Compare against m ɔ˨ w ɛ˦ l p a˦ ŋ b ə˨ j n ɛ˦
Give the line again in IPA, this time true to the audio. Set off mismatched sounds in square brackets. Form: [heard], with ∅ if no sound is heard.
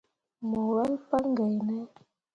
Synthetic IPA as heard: m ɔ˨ w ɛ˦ l p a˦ ŋ [ɡ] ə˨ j n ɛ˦